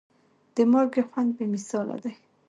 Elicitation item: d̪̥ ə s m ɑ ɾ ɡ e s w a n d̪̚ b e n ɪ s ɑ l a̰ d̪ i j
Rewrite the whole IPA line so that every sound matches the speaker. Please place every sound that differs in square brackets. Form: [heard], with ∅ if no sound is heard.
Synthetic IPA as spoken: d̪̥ ə [∅] m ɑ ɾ ɡ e [x] w a n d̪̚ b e [m] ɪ s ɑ l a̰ d̪ [a] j